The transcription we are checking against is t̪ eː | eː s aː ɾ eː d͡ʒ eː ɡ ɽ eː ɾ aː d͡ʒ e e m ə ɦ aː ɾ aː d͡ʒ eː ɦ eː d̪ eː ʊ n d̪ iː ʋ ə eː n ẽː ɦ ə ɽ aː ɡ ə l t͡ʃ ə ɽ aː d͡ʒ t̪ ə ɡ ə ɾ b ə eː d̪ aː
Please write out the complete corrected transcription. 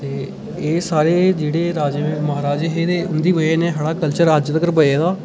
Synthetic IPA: t̪ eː | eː s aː ɾ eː d͡ʒ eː ɽ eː ɾ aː d͡ʒ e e m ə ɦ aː ɾ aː d͡ʒ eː ɦ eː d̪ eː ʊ n d̪ iː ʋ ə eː n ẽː ɦ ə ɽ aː k ə l t͡ʃ ə ɾ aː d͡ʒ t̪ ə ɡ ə ɾ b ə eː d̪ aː